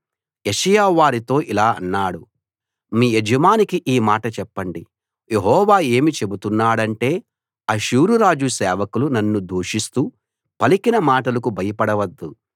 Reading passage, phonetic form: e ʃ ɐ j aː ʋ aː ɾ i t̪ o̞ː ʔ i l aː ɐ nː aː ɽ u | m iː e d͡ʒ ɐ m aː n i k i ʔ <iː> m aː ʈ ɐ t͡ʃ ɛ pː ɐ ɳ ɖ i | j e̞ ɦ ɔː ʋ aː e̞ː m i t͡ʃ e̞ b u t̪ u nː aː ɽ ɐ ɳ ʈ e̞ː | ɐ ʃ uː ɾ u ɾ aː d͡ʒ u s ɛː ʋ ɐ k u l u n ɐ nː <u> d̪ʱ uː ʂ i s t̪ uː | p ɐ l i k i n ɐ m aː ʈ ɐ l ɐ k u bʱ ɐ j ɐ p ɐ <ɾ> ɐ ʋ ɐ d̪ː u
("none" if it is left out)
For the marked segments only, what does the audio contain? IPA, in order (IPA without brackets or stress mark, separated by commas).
iː, u, ɽ